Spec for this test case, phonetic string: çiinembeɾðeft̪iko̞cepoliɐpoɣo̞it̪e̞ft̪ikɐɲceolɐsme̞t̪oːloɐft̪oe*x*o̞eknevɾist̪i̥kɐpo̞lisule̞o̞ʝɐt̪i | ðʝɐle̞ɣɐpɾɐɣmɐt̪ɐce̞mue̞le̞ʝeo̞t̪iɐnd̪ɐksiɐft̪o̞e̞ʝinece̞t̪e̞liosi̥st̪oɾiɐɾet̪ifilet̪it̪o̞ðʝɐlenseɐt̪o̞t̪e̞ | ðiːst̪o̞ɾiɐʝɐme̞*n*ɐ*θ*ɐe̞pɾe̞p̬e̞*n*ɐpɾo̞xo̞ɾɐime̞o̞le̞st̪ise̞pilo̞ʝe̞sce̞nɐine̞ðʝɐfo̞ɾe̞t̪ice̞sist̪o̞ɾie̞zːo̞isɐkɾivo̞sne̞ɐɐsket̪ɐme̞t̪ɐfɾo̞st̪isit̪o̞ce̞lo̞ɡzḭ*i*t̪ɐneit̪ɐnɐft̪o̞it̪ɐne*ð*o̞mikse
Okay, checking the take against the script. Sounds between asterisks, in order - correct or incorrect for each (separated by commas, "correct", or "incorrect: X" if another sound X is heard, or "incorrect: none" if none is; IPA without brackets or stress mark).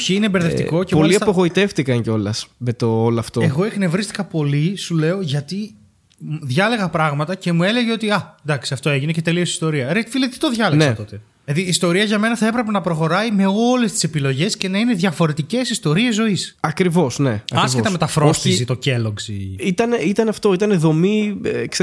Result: incorrect: ɣ, correct, correct, correct, correct, correct